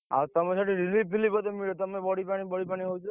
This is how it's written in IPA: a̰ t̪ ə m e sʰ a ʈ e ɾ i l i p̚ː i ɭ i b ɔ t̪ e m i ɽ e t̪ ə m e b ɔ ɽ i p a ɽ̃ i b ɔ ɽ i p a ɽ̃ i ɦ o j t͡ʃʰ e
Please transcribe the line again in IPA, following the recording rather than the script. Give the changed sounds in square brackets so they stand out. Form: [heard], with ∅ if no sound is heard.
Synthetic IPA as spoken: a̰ t̪ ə m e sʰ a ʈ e ɾ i l i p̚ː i [l] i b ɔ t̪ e m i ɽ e t̪ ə m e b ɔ ɽ i p a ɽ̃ i b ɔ ɽ i p a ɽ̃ i ɦ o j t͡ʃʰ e